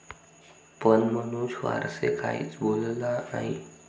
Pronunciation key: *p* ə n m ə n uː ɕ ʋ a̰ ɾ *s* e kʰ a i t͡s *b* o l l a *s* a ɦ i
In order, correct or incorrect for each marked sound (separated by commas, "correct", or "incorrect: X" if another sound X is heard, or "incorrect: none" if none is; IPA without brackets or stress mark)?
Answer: correct, correct, correct, incorrect: none